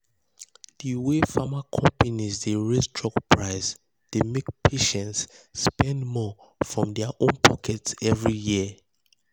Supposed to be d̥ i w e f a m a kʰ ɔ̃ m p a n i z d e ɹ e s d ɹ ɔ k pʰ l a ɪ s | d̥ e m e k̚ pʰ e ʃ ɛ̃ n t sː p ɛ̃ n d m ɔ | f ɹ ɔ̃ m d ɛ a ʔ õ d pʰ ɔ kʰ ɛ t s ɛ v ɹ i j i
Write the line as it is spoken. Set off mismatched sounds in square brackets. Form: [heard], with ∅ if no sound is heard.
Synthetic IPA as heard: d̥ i w e f a m a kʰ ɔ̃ m p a n i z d e ɹ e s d ɹ ɔ k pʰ [ɹ] a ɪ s | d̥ e m e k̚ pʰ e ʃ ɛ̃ n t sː p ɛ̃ n d m ɔ | f ɹ ɔ̃ m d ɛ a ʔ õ [n] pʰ ɔ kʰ ɛ t s ɛ v ɹ i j i